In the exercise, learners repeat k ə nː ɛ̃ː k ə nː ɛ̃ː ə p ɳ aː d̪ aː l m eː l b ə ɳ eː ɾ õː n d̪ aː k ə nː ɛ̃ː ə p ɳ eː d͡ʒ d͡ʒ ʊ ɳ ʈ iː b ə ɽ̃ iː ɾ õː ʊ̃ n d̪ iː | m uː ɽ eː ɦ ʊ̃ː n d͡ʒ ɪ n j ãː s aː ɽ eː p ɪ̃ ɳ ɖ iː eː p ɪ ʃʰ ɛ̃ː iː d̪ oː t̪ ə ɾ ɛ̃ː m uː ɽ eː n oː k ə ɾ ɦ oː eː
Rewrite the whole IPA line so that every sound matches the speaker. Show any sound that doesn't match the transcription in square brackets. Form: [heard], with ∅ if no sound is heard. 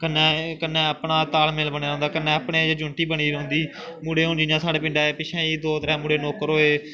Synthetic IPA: k ə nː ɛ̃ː k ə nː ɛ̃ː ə p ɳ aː [t̪] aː l m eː l b ə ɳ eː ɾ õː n d̪ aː k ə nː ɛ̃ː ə p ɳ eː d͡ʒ d͡ʒ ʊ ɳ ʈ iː b ə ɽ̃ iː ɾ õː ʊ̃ n d̪ iː | m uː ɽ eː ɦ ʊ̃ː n d͡ʒ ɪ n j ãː s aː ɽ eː p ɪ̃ ɳ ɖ [aː] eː p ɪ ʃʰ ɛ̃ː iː d̪ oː t̪ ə ɾ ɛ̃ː m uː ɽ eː n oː k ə ɾ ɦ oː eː